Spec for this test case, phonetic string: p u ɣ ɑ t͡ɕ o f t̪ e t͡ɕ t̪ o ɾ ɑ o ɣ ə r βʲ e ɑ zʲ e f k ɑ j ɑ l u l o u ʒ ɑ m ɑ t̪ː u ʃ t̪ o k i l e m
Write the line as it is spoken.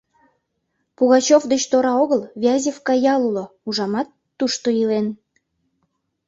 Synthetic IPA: p u ɣ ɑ t͡ɕ o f d̪ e t͡ɕ t̪ o ɾ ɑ o ɣ ə l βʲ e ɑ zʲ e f k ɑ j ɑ l u l o u ʒ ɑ m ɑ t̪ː u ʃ t̪ o i l e n